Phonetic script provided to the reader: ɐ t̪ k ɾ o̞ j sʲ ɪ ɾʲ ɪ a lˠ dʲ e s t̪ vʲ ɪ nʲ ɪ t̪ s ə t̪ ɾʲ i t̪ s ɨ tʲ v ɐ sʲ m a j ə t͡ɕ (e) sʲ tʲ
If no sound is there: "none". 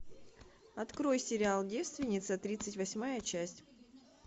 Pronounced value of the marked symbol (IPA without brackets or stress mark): æ